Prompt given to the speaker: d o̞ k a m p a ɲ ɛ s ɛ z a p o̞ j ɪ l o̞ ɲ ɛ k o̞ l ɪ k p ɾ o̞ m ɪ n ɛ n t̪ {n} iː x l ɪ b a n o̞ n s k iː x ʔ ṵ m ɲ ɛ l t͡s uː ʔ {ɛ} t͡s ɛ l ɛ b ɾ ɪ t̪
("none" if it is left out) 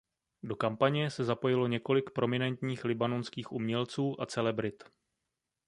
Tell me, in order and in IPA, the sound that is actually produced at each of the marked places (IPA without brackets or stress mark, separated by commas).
ɲ, a